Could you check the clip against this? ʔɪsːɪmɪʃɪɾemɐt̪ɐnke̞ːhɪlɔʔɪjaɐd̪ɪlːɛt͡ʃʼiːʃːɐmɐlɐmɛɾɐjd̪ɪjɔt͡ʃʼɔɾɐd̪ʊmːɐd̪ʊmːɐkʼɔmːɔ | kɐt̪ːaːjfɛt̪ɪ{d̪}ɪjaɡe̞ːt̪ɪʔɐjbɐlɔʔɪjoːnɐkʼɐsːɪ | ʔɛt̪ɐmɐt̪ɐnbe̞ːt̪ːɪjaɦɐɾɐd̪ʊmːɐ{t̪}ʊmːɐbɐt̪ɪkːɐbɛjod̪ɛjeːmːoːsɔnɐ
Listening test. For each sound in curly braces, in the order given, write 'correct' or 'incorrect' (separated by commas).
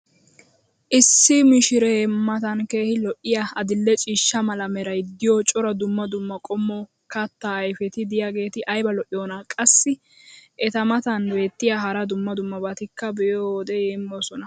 correct, incorrect